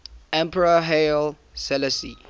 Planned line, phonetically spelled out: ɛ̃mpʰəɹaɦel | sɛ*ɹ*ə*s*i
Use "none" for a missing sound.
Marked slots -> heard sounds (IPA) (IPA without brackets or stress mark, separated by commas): l, s